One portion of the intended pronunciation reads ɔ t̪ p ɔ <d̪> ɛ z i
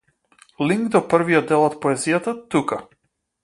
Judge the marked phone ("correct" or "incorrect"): incorrect